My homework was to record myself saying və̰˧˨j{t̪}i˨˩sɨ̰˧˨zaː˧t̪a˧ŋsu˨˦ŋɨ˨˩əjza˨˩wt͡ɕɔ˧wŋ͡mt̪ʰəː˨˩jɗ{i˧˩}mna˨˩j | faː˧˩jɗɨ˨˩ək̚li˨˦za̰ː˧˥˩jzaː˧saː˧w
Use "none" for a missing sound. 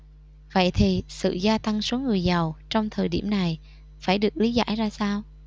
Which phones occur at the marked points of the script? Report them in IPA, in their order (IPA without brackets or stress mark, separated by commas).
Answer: t̪ʰ, i˧˩